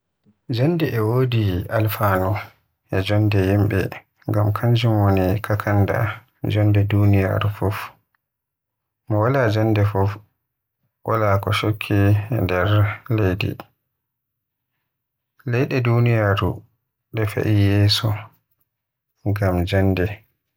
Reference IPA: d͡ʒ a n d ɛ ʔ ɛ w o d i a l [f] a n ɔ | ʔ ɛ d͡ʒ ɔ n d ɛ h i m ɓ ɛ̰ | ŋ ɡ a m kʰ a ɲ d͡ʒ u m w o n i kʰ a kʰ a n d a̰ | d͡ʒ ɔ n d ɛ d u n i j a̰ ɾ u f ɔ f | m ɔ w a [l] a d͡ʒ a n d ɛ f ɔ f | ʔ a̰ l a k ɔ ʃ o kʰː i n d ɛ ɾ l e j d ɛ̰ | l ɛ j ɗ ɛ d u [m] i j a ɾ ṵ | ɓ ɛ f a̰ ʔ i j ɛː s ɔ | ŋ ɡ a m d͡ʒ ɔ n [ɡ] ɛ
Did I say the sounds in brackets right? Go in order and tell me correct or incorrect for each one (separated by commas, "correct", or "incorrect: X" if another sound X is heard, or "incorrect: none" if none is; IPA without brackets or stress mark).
correct, correct, incorrect: n, incorrect: d